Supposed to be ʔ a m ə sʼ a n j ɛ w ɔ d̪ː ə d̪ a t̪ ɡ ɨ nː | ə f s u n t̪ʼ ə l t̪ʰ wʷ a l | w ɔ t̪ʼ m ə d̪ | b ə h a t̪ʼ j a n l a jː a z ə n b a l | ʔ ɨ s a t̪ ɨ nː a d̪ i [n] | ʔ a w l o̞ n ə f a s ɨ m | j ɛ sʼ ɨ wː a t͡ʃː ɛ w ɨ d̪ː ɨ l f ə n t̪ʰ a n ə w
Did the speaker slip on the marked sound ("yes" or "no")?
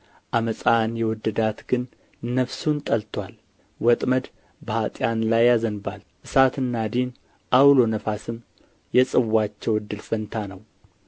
no